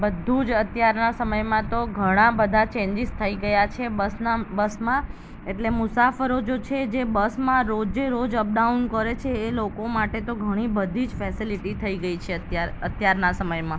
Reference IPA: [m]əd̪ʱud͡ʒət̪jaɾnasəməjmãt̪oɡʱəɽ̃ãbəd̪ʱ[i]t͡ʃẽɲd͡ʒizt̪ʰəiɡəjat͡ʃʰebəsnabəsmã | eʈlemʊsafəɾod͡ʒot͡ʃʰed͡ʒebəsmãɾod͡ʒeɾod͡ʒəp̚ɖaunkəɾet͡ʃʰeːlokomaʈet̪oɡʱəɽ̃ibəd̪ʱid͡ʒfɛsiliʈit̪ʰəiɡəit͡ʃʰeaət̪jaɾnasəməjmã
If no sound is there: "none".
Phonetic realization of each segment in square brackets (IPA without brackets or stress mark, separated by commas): b, a